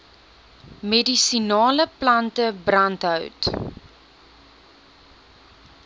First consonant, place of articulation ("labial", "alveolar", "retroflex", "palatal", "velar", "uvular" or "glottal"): labial